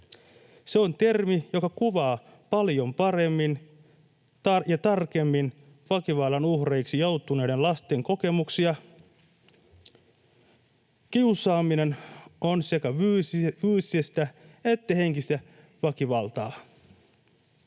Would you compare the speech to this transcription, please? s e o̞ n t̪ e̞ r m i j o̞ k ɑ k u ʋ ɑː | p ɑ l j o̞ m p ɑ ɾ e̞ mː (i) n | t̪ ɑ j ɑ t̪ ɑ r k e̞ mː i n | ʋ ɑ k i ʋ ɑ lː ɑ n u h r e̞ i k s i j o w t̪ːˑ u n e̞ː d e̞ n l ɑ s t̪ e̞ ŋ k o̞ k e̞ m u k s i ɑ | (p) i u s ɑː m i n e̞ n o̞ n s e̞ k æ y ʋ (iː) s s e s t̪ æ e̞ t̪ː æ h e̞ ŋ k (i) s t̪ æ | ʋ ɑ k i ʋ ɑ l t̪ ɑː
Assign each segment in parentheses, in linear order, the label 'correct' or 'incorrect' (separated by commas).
correct, incorrect, incorrect, correct